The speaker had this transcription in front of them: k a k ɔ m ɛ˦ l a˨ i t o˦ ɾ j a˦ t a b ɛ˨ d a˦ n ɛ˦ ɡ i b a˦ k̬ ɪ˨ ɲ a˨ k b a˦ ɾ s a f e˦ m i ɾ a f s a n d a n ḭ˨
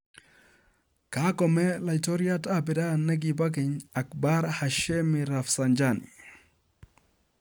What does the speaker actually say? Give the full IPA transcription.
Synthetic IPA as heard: k a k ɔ m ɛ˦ l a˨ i t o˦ ɾ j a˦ t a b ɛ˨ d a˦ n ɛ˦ ɡ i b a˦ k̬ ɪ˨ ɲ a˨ k b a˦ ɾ h a ʃ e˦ m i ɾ a f s a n d͡ʒ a n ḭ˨